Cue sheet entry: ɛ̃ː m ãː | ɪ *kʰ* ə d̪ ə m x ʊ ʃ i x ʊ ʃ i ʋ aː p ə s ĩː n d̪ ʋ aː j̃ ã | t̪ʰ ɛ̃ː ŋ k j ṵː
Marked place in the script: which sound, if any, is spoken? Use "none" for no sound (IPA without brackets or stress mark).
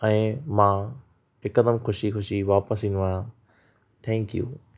k